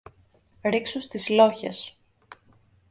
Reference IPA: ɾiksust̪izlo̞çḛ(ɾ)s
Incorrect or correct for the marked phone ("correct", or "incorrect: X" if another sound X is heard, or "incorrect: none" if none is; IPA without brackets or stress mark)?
incorrect: none